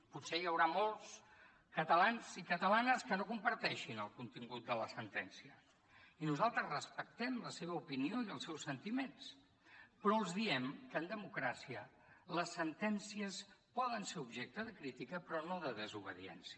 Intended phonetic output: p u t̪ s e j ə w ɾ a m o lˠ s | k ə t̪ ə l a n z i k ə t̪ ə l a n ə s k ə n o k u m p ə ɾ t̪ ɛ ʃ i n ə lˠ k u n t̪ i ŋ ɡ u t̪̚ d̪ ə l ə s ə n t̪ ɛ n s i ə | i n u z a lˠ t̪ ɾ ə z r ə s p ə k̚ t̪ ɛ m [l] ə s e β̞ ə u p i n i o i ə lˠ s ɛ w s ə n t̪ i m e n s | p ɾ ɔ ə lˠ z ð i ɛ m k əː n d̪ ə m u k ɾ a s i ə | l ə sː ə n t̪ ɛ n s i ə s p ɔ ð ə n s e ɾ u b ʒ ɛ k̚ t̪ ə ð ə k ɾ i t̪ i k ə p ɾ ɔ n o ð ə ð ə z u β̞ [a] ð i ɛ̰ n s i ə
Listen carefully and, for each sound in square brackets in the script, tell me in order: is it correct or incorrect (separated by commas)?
correct, incorrect